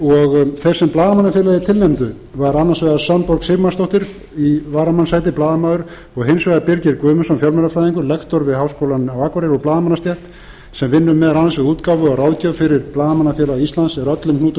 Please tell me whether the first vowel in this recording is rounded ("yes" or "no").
yes